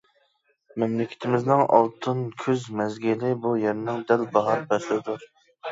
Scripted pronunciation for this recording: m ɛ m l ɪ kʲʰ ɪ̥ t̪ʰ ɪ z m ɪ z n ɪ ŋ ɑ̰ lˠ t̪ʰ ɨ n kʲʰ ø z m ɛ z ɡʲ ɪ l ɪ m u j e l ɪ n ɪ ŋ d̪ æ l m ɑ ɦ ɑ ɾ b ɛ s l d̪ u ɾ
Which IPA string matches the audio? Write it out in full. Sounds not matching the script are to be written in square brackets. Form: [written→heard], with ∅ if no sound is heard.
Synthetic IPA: m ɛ m l ɪ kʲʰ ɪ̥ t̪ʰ ɪ [z→∅] m ɪ z n ɪ ŋ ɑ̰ lˠ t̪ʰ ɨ n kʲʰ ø z m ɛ z ɡʲ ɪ l ɪ [m→b] u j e [l→ɾ] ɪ n ɪ ŋ d̪ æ l [m→b] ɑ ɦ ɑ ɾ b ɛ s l d̪ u ɾ